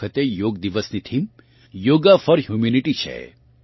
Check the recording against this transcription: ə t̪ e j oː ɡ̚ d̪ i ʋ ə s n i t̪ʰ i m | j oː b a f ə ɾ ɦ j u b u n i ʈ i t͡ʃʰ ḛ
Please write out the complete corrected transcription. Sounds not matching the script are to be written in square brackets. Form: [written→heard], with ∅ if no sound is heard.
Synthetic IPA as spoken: ə t̪ e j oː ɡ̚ d̪ i ʋ ə s n i t̪ʰ i m | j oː [b→ɡ] a f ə ɾ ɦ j u [b→m] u n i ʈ i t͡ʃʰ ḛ

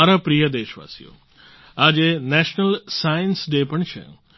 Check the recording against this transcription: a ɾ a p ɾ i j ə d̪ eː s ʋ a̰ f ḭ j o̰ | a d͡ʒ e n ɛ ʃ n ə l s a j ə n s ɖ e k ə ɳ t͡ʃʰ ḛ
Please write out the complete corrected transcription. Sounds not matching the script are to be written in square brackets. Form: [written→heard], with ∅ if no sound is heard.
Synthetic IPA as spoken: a ɾ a p ɾ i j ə d̪ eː [s→ʃ] ʋ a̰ [f→s] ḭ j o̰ | a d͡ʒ e n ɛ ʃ n ə l s a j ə n s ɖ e [k→p] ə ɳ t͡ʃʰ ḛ

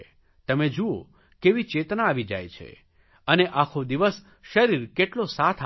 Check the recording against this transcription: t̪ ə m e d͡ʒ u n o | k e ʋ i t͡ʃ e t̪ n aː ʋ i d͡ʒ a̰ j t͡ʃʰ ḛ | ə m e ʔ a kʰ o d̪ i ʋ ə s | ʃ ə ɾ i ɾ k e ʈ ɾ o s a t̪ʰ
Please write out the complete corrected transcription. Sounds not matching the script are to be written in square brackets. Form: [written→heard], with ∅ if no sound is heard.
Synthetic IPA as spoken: t̪ ə m e d͡ʒ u [n→∅] o | k e ʋ i t͡ʃ e t̪ n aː ʋ i d͡ʒ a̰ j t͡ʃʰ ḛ | ə [m→n] e ʔ a kʰ o d̪ i ʋ ə s | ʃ ə ɾ i ɾ k e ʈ [ɾ→l] o s a t̪ʰ

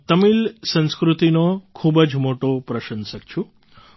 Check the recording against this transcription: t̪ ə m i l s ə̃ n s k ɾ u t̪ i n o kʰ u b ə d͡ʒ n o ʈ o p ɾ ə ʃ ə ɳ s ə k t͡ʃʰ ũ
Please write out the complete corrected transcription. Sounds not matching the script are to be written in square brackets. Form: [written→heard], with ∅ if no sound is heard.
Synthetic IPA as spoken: t̪ ə m i l s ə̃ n s k ɾ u t̪ i n o kʰ u b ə d͡ʒ [n→m] o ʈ o p ɾ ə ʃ ə [ɳ→n] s ə k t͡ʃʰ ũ

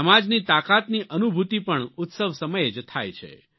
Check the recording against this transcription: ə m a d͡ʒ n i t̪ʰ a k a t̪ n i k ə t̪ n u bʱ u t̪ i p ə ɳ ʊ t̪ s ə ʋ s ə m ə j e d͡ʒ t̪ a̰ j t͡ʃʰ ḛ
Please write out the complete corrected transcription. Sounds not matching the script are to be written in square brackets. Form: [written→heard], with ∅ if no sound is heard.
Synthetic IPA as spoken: ə m a d͡ʒ n i [t̪ʰ→t̪] a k a t̪ n i [k→ʔ] ə [t̪→∅] n u bʱ u t̪ i p ə ɳ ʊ t̪ s ə ʋ s ə m ə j e d͡ʒ [t̪→t̪ʰ] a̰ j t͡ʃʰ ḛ

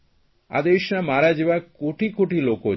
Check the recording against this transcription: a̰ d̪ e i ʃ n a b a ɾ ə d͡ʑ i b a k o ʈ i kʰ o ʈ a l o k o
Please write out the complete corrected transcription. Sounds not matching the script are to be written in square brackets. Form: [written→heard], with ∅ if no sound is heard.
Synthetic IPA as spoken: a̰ d̪ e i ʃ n a [b→m] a ɾ [ə→a] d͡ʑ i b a k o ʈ i [kʰ→k] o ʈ [a→i] l o k o

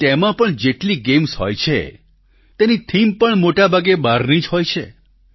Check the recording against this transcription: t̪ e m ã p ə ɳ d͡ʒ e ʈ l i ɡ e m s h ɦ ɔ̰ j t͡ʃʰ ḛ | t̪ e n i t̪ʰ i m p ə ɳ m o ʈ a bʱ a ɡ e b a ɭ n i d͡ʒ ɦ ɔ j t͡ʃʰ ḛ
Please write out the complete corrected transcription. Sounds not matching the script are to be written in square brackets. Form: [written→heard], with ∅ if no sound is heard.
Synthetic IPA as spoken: t̪ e m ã p ə ɳ d͡ʒ e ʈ l i ɡ e m s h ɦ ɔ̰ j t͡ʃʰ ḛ | t̪ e n i t̪ʰ i m p ə ɳ m o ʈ a bʱ a ɡ e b a [ɭ→ɾ] n i d͡ʒ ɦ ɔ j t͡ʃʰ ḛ

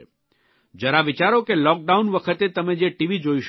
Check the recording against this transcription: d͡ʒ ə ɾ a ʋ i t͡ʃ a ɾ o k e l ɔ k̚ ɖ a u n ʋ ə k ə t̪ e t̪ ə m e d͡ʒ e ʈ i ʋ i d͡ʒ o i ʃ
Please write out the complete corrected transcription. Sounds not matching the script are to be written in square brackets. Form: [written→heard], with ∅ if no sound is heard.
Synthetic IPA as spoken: d͡ʒ ə ɾ a ʋ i t͡ʃ a ɾ o k e l ɔ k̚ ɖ a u n ʋ ə [k→kʰ] ə t̪ e t̪ ə m e d͡ʒ e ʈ i ʋ i d͡ʒ o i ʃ

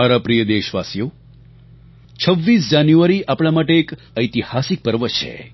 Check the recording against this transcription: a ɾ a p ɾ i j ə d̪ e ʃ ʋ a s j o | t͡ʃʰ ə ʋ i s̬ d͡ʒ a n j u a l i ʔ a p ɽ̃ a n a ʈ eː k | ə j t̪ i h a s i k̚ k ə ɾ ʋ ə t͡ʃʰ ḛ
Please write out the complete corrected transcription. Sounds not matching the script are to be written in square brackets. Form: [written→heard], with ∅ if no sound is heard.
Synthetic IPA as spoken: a ɾ a p ɾ i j ə d̪ e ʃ ʋ a s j o | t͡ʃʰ ə [ʋ→ʋː] i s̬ d͡ʒ a n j u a [l→ɾ] i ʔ a p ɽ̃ a [n→m] a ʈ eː k | ə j t̪ i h a s i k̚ [k→p] ə ɾ ʋ ə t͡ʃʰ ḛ

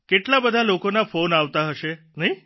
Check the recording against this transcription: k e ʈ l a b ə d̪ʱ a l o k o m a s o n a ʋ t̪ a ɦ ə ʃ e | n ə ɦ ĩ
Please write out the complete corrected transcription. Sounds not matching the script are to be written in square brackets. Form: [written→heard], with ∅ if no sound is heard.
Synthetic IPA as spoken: k e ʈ l a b ə d̪ʱ a l o k o [m→n] a [s→f] o n a ʋ t̪ a ɦ ə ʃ e | n ə ɦ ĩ

